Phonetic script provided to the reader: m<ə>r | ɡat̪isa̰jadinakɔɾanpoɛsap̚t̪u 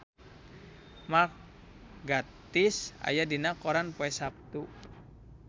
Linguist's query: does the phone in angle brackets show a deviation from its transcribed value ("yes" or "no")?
yes